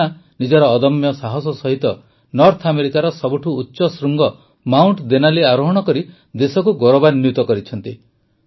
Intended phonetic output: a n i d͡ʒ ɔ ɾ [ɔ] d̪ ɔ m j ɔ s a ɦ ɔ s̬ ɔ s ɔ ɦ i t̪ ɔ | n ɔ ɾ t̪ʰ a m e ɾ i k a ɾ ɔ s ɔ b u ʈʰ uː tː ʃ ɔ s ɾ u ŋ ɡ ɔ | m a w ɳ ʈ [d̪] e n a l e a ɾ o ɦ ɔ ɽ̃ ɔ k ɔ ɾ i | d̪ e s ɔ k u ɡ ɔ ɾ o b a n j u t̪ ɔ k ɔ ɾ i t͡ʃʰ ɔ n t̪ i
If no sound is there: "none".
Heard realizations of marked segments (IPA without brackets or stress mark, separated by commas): ɔː, d̪